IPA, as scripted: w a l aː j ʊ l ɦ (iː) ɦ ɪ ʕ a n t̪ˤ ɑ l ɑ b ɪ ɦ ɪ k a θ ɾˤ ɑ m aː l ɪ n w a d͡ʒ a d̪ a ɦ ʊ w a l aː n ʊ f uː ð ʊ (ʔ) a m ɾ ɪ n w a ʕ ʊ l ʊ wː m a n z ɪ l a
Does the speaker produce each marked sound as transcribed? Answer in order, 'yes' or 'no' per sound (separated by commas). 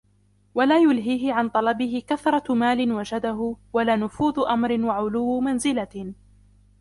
yes, yes